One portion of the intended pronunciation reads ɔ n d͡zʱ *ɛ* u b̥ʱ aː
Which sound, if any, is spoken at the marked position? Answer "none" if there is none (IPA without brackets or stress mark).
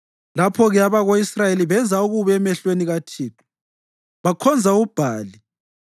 a